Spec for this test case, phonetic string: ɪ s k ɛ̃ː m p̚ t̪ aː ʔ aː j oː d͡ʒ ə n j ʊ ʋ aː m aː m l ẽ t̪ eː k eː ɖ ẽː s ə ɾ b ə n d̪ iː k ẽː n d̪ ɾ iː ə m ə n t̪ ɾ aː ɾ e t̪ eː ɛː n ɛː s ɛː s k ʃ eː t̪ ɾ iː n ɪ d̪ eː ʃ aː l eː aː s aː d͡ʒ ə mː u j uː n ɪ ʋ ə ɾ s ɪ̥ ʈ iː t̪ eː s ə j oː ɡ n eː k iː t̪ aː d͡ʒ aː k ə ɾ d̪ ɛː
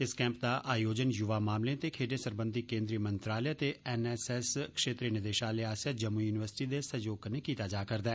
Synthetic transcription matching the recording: ɪ s k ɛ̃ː m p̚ d̪ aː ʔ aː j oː d͡ʒ ə n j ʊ ʋ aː m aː m l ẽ t̪ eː kʰ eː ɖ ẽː s ə ɾ b ə n d̪ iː k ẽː n d̪ ɾ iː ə m ə n t̪ ɾ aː l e t̪ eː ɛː n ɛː s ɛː s k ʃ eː t̪ ɾ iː n ɪ d̪ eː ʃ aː l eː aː s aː d͡ʒ ə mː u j uː n ɪ ʋ ə ɾ s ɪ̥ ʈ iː d̪ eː s ə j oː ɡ n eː k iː t̪ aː d͡ʒ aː k ə ɾ d̪ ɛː